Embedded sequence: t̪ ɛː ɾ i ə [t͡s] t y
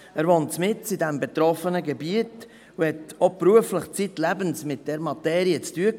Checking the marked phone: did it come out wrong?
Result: no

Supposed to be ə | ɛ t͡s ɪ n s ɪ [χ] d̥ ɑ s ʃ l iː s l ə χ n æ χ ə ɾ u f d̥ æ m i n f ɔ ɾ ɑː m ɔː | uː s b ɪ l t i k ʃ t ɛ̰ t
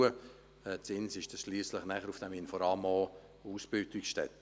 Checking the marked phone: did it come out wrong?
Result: yes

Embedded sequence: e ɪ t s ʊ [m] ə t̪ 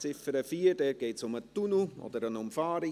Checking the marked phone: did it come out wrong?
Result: no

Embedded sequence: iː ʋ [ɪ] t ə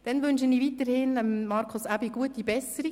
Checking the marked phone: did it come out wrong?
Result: yes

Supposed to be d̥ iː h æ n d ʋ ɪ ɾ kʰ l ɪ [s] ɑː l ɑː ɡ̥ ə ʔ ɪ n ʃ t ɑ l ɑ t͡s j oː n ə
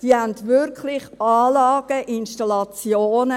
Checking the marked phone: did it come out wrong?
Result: yes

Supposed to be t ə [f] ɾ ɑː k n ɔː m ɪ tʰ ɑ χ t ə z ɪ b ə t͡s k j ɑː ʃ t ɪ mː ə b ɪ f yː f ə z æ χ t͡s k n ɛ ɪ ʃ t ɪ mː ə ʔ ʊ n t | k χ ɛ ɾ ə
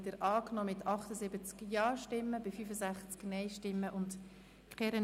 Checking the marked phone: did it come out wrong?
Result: yes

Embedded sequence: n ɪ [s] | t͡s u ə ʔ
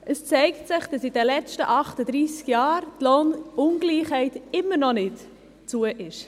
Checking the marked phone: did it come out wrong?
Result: yes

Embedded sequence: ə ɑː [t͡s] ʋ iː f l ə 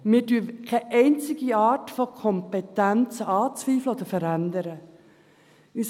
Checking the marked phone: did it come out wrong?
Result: no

